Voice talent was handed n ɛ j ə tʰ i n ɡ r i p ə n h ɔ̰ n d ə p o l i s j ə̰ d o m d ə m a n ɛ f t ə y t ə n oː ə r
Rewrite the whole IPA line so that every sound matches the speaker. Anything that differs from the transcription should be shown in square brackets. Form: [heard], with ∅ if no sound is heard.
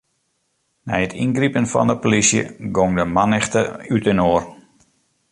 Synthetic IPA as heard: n ɛ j ə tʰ i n ɡ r i p ə n [f] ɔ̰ n d ə p o l i s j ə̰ [ɡ] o [ŋ] d ə m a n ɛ [x] t ə y t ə n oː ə r